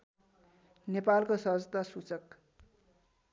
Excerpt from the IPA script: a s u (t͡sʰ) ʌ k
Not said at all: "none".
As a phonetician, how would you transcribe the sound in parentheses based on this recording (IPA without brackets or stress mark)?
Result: t͡s